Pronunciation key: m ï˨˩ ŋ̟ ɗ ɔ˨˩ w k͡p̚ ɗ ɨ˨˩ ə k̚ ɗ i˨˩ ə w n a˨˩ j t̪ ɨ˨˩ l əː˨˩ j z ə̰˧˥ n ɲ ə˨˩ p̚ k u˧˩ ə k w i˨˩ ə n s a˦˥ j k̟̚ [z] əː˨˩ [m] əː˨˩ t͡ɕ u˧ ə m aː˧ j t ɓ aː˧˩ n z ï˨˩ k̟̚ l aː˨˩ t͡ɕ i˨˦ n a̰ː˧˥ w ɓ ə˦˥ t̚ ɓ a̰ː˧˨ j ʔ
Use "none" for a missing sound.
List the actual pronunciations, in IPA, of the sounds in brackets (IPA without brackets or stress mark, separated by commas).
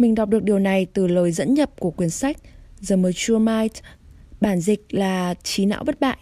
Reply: z, m